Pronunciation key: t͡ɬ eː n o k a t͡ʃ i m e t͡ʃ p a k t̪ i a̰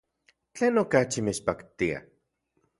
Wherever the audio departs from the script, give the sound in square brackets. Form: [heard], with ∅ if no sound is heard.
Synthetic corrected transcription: t͡ɬ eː n o k a t͡ʃ i m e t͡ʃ p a k t̪ i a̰